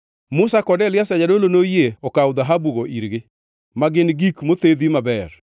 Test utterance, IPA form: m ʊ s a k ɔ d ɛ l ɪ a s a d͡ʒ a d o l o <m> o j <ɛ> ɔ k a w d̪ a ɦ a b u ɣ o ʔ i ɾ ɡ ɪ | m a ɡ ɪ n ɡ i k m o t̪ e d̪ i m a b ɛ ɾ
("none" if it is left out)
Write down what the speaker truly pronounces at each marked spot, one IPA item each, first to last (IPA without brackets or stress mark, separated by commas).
n, e